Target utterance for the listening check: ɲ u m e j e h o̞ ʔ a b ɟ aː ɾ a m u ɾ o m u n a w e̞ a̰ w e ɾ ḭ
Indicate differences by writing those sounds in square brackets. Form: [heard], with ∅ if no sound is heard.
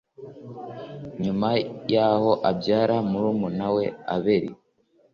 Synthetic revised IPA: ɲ u m [a] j [a] h o̞ ʔ a b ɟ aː ɾ a m u ɾ [u] m u n a w e̞ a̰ [β] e ɾ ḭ